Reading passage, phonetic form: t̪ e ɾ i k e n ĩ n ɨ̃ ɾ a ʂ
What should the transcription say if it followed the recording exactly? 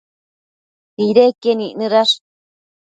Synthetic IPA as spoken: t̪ i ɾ e k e n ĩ n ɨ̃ ɾ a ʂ